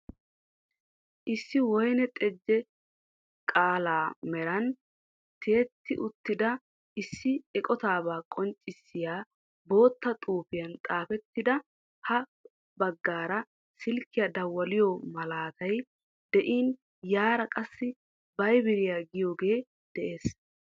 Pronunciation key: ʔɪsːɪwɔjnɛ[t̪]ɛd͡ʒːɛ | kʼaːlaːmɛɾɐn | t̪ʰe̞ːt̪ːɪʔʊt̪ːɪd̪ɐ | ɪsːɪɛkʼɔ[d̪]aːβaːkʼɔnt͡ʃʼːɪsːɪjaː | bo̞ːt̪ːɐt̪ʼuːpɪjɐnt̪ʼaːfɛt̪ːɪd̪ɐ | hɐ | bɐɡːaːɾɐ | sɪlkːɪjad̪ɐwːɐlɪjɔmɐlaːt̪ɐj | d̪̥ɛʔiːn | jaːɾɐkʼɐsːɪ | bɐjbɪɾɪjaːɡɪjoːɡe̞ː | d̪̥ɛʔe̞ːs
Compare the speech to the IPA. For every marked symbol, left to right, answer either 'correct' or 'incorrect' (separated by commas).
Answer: incorrect, incorrect